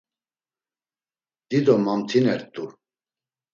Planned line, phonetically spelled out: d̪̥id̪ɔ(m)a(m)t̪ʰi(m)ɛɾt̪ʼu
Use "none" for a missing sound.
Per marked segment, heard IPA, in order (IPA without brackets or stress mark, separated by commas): m, m, n